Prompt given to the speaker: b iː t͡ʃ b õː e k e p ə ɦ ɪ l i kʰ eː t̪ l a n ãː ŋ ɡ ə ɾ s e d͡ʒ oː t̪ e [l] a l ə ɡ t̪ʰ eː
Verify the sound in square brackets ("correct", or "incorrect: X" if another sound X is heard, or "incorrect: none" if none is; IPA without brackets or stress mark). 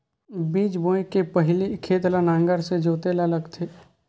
correct